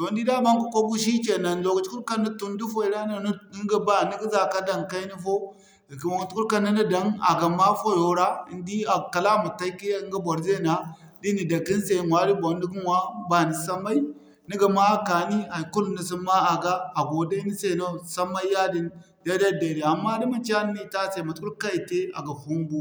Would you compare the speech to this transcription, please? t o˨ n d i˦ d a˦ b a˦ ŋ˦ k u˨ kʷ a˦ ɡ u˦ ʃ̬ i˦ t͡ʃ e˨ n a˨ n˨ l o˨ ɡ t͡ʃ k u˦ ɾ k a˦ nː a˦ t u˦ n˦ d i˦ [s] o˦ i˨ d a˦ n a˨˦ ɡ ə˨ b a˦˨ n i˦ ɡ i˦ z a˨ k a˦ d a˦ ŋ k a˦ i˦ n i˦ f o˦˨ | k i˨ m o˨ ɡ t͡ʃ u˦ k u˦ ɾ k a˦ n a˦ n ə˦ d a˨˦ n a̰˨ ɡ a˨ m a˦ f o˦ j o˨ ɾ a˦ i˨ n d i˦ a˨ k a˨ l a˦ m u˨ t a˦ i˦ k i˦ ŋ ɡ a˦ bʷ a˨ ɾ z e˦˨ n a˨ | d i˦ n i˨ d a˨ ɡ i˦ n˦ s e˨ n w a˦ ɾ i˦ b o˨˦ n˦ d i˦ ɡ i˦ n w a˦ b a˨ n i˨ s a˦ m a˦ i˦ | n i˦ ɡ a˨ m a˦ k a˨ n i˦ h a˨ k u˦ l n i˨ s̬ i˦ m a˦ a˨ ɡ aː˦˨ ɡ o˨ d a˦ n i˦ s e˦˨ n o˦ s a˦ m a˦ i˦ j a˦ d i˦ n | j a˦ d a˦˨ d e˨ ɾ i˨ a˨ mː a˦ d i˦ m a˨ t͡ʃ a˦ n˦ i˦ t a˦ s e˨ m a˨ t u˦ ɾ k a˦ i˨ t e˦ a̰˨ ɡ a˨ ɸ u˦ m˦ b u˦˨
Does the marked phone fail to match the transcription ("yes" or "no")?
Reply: yes